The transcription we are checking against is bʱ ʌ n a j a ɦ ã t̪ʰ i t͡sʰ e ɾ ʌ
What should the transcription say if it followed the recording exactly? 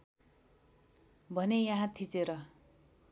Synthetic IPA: bʱ ʌ n e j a ɦ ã t̪ʰ i t͡s e ɾ ʌ